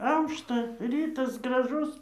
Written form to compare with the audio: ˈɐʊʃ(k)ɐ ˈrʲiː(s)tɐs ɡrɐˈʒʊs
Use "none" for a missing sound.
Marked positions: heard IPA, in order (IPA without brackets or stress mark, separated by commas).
t, none